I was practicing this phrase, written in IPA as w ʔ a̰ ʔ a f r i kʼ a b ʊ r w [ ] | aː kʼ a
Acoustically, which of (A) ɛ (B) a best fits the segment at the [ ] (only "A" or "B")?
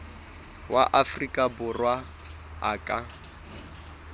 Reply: B